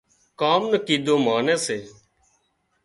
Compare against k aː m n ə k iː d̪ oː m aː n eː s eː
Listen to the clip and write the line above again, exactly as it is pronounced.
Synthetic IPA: k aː m n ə k iː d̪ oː m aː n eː s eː